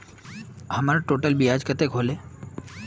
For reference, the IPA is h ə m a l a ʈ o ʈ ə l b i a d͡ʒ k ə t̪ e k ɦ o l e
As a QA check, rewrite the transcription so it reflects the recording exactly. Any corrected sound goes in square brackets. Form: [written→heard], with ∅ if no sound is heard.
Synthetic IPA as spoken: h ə m a [l→ɾ] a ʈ o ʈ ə l b i a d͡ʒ k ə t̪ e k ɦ o l e